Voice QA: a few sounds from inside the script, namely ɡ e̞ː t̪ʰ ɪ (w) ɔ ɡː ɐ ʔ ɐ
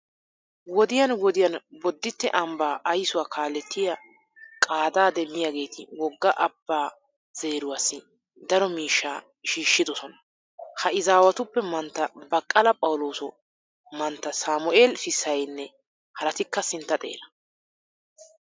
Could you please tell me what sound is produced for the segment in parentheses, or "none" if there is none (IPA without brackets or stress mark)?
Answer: w